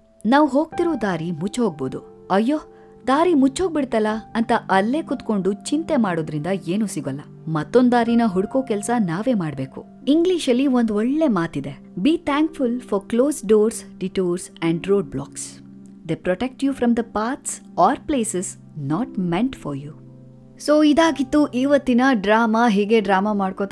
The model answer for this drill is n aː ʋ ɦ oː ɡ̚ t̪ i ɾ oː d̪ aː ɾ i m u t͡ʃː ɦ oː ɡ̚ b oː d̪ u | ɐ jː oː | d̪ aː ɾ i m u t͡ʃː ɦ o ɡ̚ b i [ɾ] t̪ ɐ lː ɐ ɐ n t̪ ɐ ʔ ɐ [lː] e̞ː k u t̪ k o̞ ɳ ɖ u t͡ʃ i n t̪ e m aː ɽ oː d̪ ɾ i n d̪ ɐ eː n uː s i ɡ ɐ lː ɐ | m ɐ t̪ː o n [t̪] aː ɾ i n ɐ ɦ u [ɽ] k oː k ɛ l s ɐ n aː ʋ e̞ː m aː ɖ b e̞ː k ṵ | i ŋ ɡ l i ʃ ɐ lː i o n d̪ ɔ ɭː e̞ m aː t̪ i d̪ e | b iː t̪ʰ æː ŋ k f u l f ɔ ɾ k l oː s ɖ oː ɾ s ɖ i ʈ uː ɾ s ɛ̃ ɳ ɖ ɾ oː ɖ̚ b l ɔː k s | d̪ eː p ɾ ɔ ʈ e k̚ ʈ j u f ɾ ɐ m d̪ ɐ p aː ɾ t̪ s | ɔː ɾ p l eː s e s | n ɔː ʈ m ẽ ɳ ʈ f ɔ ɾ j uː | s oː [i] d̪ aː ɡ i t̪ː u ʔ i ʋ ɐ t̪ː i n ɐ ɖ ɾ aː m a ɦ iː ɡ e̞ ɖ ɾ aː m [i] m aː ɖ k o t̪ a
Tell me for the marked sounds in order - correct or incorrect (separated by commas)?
incorrect, correct, incorrect, correct, correct, incorrect